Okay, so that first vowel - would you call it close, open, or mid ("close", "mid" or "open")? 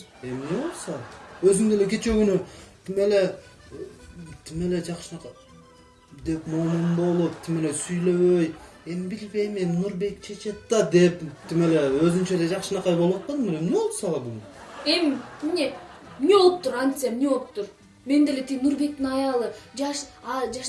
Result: mid